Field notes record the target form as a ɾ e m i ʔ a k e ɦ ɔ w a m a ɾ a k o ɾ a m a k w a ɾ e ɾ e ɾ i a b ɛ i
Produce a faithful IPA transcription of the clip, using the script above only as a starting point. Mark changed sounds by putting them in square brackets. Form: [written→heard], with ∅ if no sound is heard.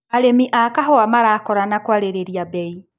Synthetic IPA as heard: a ɾ e m i ʔ a k [e→a] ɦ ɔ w a m a ɾ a k [o→ɔ] ɾ a [m→n] a k w a ɾ e ɾ e ɾ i a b ɛ i